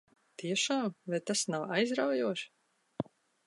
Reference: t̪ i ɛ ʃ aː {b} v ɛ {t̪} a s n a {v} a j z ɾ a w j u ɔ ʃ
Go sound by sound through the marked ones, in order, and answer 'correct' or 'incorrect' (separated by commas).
incorrect, correct, incorrect